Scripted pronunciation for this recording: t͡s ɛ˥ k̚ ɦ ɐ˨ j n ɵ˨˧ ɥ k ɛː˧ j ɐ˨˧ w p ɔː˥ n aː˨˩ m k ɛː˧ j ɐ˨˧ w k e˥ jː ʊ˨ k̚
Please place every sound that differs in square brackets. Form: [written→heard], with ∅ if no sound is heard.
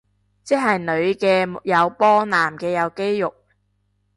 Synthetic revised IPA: t͡s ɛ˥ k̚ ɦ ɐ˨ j n ɵ˨˧ ɥ k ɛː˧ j ɐ˨˧ w p ɔː˥ n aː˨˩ m k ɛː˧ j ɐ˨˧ w k e˥ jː ʊ˨ k̚